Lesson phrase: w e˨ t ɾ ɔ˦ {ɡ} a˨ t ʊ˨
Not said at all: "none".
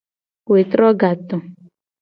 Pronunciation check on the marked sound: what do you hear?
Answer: ɡ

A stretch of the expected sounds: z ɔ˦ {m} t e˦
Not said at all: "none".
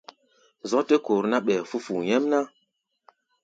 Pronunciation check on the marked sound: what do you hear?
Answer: none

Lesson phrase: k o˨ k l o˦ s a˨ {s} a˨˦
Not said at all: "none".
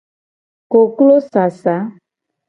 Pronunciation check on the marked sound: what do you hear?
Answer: s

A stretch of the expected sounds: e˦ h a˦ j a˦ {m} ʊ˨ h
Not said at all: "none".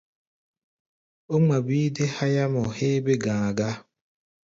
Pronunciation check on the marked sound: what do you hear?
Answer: m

